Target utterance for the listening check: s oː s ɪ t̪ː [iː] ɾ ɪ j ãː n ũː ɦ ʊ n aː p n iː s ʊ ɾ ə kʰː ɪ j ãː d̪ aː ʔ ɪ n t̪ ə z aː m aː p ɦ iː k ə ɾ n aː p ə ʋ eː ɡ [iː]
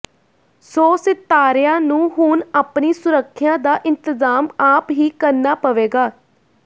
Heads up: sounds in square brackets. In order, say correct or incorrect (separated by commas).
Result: incorrect, incorrect